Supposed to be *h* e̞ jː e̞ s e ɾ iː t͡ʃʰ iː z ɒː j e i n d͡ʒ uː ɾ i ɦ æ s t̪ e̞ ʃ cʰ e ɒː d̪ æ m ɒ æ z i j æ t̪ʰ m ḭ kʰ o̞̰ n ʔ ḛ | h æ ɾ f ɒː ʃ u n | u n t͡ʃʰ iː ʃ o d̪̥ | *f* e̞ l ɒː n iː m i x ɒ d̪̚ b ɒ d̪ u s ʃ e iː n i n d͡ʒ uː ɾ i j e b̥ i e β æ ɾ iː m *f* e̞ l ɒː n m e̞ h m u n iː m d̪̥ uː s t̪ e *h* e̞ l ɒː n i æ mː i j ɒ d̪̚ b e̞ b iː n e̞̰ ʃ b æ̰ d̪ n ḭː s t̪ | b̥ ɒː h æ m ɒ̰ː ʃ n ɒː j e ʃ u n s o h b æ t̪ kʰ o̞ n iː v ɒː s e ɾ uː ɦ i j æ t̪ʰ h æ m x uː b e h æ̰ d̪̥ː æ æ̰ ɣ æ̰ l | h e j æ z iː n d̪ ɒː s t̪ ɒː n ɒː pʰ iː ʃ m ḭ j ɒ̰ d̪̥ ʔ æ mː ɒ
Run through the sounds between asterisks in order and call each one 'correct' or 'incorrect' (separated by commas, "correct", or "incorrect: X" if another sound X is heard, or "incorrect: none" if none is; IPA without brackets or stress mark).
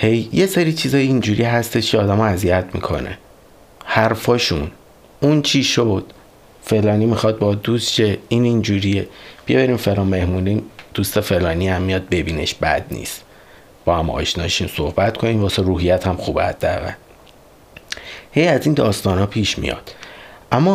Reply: correct, correct, correct, incorrect: f